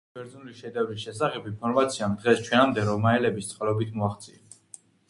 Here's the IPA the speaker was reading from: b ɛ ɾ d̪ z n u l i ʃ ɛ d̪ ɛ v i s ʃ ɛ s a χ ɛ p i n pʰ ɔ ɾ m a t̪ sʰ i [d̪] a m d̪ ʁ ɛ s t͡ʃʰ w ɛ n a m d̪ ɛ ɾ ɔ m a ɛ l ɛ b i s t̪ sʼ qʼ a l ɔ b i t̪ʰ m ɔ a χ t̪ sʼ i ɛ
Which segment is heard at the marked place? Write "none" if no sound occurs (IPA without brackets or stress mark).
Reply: none